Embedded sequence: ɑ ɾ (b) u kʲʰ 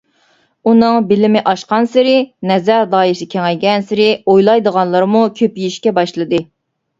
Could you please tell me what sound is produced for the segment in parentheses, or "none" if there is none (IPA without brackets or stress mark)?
m